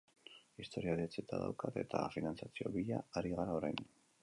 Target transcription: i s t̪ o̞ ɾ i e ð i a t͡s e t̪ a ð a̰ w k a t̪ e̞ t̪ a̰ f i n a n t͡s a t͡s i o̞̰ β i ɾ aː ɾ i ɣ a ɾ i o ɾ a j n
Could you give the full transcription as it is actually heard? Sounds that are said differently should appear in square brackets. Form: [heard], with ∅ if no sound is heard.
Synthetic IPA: i s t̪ o̞ ɾ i [a] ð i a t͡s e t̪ a ð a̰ w k a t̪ e̞ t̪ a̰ f i n a n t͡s a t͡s i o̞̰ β i [ʎ] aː ɾ i ɣ a ɾ [a] o ɾ a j n